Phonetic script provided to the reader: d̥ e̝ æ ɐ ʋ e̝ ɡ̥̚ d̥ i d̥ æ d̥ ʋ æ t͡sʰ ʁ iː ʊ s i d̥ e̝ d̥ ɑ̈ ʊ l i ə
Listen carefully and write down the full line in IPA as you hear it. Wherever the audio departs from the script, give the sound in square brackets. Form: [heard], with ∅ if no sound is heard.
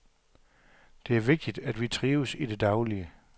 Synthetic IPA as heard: d̥ e̝ æ ɐ ʋ e̝ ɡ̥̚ d̥ i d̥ æ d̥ ʋ [i] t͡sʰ ʁ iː ʊ s i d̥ e̝ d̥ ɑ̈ ʊ l i ə

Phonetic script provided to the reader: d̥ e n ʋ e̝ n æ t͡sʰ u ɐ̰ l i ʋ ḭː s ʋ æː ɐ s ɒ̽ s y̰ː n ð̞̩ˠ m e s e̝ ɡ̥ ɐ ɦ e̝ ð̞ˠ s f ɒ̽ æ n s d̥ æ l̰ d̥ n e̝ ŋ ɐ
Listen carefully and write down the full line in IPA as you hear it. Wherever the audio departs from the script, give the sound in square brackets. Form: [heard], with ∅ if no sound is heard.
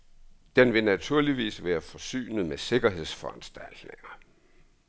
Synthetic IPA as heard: d̥ e n ʋ e̝ n æ t͡sʰ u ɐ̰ l i ʋ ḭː s ʋ æː ɐ [f] ɒ̽ s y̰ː n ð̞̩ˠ m e s e̝ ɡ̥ ɐ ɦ e̝ ð̞ˠ s f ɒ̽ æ n s d̥ æ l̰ d̥ n e̝ ŋ ɐ

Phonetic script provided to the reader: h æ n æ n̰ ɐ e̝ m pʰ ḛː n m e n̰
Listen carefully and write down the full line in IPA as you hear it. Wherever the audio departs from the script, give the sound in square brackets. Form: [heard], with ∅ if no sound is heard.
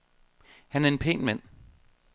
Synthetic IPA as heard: h æ n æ [∅] ɐ e̝ [n] pʰ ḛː n m [æ] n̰

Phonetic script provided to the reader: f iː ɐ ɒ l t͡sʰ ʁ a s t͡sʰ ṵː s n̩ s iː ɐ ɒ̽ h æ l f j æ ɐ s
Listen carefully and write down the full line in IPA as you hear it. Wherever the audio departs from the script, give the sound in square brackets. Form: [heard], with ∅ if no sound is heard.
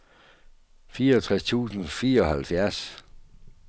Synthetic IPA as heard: f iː ɐ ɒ [∅] t͡sʰ ʁ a s t͡sʰ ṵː s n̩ [f] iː ɐ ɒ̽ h æ l f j æ ɐ s

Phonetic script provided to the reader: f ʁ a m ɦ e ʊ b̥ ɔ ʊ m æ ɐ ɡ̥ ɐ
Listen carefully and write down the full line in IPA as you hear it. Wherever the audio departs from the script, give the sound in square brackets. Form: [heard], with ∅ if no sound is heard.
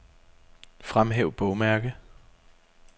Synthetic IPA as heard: f ʁ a m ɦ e ʊ b̥ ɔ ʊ m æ ɐ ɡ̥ [ə]

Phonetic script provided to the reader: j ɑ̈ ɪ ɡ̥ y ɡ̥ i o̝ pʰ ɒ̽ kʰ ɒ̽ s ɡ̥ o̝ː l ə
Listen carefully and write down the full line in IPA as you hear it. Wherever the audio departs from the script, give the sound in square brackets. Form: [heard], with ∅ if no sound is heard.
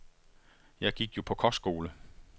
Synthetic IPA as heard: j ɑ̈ ɪ ɡ̥ [i] ɡ̥ [j] o̝ pʰ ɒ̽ kʰ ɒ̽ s ɡ̥ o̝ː l ə

